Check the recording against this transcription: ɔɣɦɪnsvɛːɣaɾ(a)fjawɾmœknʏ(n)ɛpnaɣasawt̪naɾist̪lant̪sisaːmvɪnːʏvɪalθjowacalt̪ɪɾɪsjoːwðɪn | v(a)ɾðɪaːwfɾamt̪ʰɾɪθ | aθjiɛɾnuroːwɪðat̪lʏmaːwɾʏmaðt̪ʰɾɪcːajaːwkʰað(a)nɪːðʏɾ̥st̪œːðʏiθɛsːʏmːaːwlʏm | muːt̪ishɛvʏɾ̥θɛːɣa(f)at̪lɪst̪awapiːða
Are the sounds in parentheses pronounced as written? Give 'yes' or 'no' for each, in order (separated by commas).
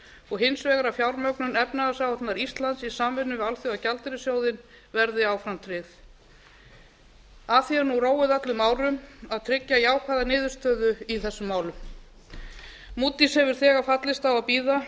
yes, yes, no, yes, yes